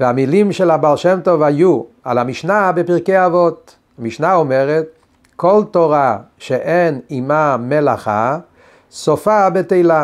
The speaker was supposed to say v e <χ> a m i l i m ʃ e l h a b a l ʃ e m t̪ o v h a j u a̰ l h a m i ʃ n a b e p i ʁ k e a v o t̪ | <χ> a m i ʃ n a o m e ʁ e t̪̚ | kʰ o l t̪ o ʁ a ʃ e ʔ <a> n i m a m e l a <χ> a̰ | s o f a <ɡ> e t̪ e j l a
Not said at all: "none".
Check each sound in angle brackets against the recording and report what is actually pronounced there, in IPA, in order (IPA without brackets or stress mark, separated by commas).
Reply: none, h, e, χ, b